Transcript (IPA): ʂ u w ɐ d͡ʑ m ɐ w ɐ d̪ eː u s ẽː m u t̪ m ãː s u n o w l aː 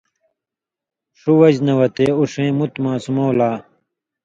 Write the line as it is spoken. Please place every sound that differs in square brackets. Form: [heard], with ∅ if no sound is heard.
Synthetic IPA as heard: ʂ u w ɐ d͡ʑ [n] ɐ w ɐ [t̪] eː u [ʂ] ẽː m u t̪ m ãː s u [m] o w l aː